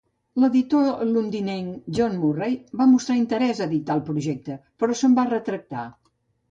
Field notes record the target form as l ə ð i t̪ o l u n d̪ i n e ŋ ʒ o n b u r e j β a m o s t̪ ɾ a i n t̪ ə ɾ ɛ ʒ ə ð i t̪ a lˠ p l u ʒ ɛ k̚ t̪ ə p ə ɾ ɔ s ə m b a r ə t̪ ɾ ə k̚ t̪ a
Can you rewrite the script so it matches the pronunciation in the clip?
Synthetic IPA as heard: l ə ð i t̪ o l u n d̪ i n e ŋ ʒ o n m u r e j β a m u s t̪ ɾ a i n t̪ ə ɾ ɛ z ə ð i t̪ a lˠ p ɾ u ʒ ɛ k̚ t̪ ə p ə ɾ ɔ s ə m b a r ə t̪ ɾ ə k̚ t̪ a